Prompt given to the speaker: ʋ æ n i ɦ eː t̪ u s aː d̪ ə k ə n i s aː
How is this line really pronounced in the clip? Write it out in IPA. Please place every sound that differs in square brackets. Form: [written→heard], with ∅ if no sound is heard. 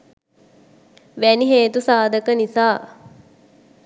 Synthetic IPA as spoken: ʋ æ n i ɦ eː t̪ u s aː d̪ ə k ə n i s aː